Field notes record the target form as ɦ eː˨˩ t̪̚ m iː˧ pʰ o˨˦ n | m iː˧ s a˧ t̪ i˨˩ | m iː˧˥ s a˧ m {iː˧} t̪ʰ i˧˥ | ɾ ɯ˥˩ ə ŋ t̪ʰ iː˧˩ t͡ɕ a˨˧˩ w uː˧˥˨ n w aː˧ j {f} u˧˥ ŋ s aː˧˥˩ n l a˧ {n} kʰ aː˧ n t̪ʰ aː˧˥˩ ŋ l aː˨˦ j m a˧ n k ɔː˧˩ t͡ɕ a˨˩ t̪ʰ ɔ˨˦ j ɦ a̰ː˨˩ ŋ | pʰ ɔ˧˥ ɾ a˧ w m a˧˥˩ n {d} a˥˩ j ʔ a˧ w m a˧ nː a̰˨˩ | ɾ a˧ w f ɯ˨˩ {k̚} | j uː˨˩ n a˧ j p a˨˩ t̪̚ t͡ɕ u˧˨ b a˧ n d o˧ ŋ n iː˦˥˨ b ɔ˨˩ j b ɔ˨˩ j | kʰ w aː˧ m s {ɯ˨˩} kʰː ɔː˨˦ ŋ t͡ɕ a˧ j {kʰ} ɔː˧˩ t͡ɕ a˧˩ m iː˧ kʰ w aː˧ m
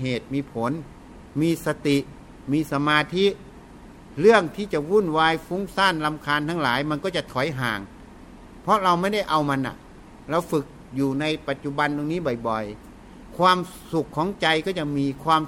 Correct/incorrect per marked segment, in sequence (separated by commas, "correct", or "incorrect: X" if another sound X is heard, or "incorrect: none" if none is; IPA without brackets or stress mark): incorrect: aː˧, correct, incorrect: m, correct, correct, incorrect: u˨˩, incorrect: k